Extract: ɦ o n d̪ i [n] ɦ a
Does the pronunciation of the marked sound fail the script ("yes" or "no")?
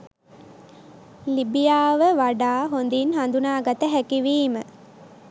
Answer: no